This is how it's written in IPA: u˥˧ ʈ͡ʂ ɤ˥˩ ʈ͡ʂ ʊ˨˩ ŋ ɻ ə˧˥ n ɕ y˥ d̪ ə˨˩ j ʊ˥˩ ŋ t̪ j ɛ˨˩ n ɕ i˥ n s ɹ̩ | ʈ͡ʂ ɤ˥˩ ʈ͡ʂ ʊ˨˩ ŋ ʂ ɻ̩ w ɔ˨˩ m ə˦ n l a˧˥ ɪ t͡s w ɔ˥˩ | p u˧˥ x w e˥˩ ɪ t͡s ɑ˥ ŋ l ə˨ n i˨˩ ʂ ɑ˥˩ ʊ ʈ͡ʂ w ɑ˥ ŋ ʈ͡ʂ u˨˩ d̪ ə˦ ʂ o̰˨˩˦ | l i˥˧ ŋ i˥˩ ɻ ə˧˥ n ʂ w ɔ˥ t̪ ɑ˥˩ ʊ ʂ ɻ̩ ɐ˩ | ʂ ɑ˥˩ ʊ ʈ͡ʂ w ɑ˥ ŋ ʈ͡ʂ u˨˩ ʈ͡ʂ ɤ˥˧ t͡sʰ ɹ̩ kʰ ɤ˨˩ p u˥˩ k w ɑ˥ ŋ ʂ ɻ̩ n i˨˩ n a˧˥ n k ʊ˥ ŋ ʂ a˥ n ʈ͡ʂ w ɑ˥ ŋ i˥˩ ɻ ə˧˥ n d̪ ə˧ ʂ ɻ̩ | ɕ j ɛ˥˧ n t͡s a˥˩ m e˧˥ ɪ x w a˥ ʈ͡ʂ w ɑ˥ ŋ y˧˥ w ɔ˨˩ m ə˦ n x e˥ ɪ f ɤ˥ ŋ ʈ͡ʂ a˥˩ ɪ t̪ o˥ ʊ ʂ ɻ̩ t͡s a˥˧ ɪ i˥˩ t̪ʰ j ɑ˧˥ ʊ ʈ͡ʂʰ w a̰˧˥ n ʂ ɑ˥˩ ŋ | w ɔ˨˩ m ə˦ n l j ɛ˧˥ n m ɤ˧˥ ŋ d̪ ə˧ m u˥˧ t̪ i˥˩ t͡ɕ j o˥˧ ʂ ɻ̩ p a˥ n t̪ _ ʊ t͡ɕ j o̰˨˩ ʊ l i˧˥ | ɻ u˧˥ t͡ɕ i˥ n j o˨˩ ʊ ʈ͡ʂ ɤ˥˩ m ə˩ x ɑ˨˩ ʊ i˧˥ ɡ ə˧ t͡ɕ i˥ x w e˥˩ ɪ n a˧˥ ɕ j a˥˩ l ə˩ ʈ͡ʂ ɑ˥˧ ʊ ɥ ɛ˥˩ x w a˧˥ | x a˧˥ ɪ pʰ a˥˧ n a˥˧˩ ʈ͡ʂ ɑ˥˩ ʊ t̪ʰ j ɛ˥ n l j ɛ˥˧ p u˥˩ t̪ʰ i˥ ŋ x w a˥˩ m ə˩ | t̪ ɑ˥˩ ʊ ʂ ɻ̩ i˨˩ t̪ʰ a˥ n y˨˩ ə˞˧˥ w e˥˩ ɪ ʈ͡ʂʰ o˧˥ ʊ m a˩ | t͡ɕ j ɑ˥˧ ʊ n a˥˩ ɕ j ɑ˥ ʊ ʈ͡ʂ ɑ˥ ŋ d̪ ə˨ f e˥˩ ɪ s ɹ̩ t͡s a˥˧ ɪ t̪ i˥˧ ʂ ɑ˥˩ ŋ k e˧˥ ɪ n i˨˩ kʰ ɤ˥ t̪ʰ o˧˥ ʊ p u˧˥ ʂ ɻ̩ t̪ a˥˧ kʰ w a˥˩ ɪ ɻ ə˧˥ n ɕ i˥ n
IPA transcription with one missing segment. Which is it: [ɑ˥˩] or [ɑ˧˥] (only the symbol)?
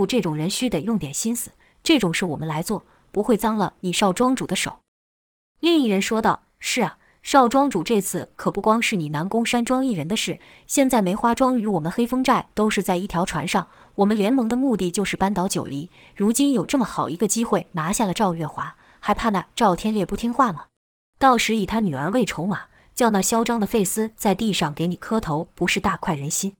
ɑ˧˥